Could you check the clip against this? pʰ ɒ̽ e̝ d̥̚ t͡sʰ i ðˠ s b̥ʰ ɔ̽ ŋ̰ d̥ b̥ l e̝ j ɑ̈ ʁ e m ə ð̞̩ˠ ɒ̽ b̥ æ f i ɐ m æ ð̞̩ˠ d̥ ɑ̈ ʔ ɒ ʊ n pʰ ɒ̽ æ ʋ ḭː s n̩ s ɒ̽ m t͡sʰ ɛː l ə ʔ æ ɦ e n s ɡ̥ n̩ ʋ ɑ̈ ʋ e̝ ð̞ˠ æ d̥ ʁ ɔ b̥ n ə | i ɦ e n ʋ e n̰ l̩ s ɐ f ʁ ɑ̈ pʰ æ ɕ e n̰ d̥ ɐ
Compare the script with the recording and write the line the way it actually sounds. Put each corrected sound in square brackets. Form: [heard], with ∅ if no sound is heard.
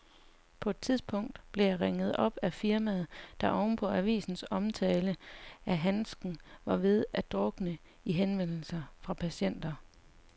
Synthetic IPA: pʰ ɒ̽ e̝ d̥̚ t͡sʰ i ðˠ s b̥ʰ ɔ̽ ŋ̰ d̥ b̥ l e̝ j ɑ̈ ʁ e [ŋ] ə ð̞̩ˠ ɒ̽ b̥ æ f i ɐ m æ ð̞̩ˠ d̥ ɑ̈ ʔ ɒ ʊ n pʰ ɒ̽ æ ʋ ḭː s n̩ s ɒ̽ m t͡sʰ ɛː l ə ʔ æ ɦ [æ] n s ɡ̥ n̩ ʋ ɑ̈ ʋ e̝ ð̞ˠ æ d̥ ʁ ɔ [ɡ̥] n ə | i ɦ e n ʋ e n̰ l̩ s ɐ f ʁ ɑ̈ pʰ æ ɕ e n̰ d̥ ɐ